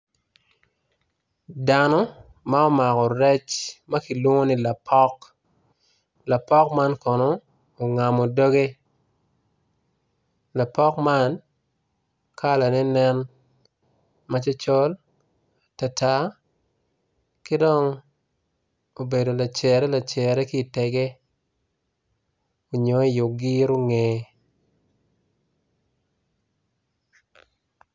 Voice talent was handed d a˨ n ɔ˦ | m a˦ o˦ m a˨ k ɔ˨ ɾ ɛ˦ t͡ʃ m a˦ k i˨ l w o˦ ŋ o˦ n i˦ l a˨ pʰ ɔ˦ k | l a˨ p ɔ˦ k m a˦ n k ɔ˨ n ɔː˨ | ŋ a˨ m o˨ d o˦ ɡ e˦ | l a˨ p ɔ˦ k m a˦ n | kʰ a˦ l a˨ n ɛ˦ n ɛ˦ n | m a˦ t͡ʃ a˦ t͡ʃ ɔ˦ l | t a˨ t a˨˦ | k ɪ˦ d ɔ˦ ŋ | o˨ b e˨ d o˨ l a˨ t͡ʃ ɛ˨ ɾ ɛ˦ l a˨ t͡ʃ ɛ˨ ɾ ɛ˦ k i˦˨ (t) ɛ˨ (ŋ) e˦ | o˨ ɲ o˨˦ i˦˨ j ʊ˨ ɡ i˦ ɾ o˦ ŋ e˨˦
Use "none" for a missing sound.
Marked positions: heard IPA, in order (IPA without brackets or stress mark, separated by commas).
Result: t, ɡ